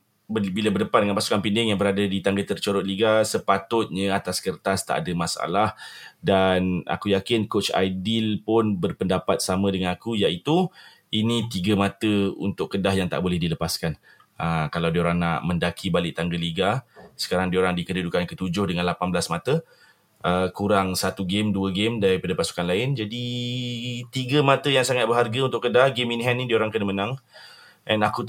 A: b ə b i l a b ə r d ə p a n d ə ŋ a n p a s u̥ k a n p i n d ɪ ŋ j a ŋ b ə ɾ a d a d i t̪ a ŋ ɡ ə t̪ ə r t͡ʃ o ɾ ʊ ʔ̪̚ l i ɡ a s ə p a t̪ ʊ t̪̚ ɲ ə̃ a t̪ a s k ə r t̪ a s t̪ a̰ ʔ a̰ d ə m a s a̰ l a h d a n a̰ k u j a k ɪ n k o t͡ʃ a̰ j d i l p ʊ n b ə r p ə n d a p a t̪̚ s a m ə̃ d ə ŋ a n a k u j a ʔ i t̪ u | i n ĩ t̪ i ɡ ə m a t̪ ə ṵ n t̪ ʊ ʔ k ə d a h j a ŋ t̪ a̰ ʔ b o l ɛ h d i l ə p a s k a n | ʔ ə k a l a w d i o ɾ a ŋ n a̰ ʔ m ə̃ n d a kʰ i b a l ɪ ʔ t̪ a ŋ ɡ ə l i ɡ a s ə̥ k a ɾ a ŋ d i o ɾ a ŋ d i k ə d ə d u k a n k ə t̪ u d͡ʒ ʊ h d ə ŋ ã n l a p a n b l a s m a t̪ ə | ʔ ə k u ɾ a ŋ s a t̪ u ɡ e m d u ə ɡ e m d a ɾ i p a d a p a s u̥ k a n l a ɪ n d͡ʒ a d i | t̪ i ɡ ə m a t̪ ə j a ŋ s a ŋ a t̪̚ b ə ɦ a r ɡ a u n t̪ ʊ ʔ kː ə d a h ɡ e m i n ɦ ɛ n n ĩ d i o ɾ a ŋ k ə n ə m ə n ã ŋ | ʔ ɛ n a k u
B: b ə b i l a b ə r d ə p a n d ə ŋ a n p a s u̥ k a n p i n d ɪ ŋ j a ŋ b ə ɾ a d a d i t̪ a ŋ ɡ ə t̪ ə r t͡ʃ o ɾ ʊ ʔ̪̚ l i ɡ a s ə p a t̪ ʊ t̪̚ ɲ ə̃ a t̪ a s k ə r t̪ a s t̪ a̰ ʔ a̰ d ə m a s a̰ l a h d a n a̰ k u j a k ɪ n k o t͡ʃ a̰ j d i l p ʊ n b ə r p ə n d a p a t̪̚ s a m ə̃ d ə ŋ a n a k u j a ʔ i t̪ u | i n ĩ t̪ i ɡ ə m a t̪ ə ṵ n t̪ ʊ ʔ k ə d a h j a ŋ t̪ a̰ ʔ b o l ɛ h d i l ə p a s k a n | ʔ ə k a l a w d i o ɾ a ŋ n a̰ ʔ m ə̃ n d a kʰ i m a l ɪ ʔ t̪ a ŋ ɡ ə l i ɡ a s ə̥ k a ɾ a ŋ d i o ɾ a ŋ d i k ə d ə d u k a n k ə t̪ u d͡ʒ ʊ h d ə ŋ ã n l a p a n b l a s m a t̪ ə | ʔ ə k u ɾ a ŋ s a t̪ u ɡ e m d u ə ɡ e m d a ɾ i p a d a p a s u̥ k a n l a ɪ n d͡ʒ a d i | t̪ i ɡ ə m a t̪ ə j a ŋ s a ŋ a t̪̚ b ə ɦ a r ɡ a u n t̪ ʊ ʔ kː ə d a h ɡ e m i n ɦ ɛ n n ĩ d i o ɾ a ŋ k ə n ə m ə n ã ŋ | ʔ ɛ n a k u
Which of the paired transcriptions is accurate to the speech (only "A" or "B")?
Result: A